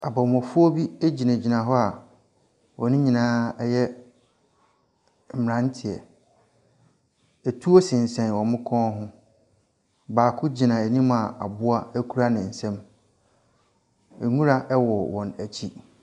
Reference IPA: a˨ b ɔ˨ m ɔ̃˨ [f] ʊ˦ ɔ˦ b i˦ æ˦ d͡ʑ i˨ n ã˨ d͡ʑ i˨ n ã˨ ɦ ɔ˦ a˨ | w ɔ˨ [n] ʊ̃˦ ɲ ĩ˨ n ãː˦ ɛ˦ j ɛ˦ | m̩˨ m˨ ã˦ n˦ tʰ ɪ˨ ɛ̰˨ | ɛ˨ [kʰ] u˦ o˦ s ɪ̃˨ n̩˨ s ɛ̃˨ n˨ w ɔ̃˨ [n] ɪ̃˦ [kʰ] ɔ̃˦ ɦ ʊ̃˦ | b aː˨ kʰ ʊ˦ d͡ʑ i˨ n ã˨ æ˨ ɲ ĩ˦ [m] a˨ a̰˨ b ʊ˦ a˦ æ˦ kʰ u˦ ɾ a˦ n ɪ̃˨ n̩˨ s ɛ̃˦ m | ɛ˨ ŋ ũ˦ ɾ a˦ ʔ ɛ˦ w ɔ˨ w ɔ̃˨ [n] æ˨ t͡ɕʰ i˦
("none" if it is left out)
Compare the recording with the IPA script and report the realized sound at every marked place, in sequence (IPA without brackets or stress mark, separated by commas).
f, n, tʰ, m, kʰ, m, n